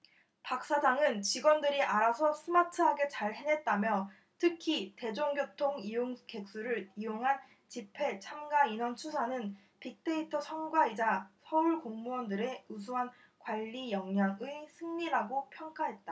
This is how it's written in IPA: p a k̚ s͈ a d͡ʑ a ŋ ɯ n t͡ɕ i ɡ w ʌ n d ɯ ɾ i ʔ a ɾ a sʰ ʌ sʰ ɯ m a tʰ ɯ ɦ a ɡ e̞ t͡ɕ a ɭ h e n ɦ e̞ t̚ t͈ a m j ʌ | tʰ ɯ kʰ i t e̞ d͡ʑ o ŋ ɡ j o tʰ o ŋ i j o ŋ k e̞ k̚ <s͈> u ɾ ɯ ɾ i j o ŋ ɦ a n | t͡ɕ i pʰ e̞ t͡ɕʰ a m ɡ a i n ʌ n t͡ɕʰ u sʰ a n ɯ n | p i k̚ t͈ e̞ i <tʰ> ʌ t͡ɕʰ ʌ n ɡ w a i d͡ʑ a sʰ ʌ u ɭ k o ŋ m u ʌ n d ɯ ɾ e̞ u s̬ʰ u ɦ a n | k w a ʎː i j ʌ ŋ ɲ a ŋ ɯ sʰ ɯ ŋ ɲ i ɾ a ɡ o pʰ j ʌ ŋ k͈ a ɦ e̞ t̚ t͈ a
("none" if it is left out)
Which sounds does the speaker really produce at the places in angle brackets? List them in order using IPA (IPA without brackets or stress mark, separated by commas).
s͈, tʰ